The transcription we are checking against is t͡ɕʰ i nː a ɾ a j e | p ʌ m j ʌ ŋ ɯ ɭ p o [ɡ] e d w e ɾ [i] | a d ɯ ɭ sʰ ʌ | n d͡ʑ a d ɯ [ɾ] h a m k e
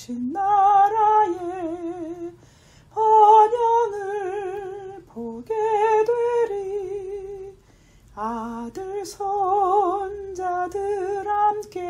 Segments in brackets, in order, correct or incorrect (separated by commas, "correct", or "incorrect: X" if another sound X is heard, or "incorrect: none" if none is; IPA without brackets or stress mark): correct, correct, correct